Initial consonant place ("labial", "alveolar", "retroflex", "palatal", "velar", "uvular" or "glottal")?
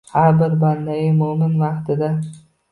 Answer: glottal